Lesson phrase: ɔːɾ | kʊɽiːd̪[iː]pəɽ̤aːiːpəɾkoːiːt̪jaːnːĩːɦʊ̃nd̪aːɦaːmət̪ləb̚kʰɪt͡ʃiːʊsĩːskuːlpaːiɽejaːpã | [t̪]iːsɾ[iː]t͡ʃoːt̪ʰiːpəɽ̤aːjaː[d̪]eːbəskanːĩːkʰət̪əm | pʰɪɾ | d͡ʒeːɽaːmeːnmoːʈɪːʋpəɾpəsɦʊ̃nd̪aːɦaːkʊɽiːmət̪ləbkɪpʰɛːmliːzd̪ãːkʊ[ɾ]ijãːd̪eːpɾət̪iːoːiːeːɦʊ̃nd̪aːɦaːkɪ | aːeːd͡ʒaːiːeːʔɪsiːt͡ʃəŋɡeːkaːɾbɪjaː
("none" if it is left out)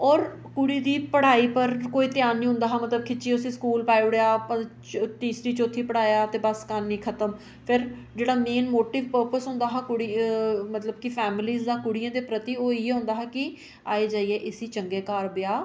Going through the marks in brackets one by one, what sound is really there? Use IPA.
iː, t̪, iː, t̪, ɽ

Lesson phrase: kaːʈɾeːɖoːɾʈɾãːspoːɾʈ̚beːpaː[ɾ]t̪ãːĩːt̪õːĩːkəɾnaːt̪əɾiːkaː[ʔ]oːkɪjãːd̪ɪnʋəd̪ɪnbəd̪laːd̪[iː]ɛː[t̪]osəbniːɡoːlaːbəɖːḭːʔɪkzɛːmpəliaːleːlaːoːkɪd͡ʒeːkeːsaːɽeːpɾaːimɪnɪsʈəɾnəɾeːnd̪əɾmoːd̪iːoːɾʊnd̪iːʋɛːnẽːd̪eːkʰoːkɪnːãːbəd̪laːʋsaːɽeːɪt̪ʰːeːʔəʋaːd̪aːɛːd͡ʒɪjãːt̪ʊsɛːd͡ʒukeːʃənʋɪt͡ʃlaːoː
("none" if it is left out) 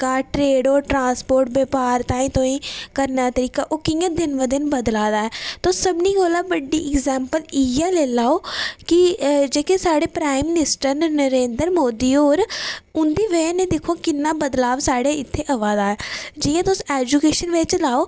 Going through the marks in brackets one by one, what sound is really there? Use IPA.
ɾ, ʔ, aː, t̪

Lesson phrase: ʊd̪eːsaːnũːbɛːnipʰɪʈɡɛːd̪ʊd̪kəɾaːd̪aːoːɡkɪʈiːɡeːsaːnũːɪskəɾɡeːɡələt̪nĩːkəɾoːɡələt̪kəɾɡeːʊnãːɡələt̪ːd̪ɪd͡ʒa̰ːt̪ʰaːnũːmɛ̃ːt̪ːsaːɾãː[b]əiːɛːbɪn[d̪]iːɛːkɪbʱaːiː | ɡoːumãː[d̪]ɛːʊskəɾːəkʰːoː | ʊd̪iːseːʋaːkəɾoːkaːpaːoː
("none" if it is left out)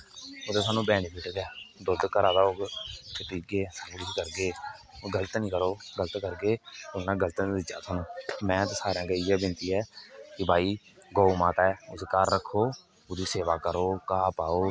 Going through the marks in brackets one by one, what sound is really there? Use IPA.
ɡ, t̪, t̪

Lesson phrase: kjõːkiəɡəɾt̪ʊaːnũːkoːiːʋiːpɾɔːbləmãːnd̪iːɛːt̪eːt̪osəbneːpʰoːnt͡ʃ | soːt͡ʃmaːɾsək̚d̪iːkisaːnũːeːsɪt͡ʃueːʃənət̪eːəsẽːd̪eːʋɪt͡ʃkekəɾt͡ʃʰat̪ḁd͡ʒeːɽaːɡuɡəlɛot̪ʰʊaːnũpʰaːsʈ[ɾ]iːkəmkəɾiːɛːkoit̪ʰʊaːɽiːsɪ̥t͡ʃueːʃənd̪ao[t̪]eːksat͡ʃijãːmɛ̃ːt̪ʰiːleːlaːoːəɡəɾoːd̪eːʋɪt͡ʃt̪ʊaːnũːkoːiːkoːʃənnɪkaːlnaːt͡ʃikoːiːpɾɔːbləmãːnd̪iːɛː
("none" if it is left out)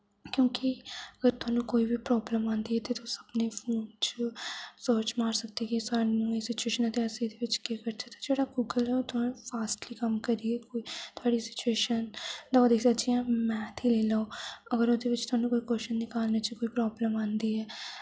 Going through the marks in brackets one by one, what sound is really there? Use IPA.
l, d̪

